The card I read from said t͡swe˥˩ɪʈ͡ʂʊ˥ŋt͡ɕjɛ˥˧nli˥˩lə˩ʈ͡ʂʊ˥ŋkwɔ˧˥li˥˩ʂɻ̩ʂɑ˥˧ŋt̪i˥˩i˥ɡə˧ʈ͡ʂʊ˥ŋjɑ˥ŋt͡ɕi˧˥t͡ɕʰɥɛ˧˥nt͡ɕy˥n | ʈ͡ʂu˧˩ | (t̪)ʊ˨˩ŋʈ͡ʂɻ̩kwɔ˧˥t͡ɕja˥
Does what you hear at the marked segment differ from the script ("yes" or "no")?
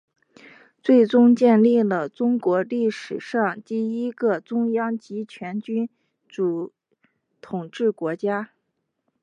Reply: yes